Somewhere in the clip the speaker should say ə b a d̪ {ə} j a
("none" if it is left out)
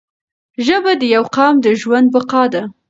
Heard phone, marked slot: ə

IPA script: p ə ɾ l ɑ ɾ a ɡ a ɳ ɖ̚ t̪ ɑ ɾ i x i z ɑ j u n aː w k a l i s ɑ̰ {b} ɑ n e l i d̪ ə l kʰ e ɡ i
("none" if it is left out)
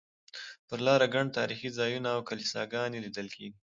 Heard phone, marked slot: ɡ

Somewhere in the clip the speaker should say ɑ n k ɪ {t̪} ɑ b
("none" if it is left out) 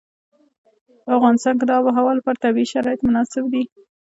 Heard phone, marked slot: d̪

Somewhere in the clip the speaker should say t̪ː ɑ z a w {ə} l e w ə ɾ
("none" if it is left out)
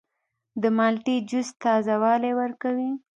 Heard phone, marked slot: ɑ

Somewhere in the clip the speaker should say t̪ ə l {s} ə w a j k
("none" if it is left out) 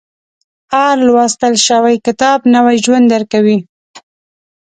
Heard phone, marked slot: ʃ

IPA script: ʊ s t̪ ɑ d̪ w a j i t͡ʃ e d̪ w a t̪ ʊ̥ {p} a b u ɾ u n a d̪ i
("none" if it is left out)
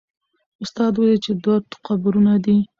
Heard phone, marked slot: q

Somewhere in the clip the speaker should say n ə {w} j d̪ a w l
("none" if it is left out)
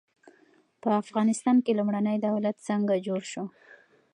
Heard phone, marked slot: none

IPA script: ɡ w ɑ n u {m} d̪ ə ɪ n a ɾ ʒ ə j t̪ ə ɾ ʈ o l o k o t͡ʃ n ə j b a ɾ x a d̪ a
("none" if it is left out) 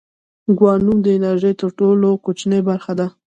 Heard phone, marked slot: m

